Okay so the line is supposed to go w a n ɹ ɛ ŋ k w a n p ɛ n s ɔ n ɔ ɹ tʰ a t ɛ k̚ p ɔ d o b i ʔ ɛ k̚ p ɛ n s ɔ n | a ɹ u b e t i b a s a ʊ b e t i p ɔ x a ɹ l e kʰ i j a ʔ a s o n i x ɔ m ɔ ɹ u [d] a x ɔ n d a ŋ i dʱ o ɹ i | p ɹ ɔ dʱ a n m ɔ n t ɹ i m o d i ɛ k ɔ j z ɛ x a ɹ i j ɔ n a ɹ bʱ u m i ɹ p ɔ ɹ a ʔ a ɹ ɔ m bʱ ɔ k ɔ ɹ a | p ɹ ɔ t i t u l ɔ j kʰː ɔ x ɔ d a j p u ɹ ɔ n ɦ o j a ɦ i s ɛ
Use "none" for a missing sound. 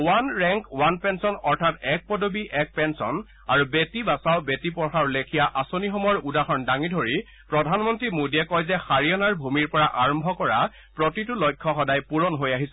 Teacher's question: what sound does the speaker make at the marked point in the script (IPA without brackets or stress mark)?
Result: d